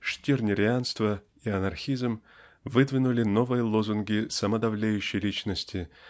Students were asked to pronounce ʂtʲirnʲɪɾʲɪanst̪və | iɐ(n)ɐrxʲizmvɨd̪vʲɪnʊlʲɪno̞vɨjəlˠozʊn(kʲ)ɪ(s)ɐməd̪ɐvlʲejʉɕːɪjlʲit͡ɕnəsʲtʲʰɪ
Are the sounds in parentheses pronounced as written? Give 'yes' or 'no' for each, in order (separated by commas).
yes, no, yes